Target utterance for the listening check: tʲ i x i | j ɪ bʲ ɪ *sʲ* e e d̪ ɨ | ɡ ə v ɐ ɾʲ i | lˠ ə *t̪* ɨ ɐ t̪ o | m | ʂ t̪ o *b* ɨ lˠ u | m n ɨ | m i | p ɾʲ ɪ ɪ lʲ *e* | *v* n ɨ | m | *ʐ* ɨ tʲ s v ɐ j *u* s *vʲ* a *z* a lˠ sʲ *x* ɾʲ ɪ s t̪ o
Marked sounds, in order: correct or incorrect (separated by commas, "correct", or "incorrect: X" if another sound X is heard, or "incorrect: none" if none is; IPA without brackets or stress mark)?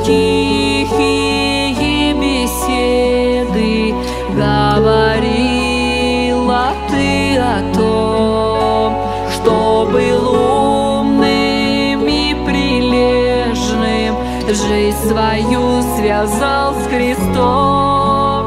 correct, correct, correct, correct, incorrect: ʐ, correct, correct, correct, correct, correct